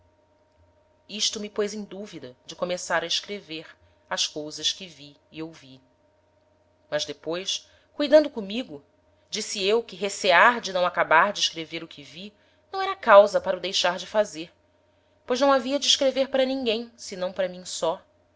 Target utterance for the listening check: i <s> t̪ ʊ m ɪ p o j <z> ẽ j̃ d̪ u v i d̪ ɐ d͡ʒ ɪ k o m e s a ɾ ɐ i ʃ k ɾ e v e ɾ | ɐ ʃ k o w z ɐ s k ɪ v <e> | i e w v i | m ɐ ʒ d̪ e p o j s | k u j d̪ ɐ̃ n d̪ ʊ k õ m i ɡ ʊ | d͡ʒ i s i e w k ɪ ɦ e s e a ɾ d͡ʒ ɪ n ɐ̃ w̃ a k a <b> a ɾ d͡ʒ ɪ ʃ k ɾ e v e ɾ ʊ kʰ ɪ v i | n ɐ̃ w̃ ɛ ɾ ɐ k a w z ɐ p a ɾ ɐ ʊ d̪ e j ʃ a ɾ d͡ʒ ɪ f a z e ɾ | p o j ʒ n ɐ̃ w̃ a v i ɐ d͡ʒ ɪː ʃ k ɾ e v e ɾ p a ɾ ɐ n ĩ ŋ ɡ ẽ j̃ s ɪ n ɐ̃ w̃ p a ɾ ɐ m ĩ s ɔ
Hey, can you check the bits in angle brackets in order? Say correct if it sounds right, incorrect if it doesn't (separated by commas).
incorrect, correct, incorrect, correct